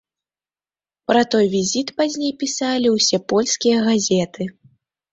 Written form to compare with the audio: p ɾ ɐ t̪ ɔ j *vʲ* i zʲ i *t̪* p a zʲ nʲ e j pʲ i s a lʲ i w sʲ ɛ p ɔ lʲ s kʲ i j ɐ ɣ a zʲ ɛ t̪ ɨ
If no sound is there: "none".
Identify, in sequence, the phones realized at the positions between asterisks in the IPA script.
vʲ, t̪

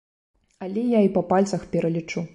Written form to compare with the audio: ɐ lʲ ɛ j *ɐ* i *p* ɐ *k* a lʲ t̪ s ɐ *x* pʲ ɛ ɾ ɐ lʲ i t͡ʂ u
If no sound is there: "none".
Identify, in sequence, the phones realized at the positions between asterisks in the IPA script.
a, p, p, x

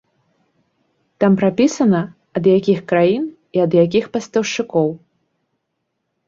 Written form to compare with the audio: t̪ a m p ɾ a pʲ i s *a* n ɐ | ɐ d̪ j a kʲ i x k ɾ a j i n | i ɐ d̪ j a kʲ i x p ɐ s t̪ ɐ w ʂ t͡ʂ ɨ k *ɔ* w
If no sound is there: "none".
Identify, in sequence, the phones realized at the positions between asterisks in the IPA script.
ɐ, ɔ

